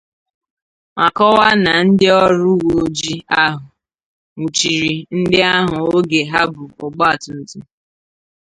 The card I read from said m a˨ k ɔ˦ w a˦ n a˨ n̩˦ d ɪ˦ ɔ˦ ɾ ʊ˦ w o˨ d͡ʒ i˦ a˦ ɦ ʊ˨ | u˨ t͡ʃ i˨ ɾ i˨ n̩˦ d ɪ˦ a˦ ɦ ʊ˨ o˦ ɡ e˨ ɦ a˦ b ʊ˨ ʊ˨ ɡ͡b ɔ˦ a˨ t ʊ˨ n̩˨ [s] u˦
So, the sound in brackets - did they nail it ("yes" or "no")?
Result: no